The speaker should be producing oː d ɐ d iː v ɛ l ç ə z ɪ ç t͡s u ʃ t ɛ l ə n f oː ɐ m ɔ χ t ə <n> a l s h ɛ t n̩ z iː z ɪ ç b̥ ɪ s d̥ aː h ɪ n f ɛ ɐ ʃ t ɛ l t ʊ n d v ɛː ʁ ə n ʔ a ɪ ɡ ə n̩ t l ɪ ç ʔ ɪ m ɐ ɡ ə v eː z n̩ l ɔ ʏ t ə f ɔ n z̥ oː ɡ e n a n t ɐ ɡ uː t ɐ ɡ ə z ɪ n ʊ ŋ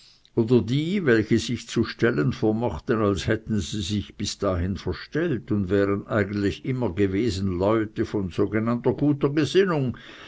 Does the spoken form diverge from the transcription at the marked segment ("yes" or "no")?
no